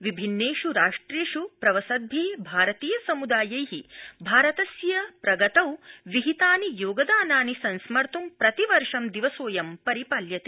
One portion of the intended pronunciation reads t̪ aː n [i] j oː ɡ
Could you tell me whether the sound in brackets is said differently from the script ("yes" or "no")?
no